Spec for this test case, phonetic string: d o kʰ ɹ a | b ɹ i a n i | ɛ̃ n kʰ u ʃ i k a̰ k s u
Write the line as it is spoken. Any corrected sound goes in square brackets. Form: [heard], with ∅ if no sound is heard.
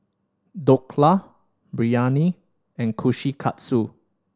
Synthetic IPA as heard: d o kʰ [l] a | b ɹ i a n i | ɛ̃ n kʰ u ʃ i [kʰ] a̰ [t] s u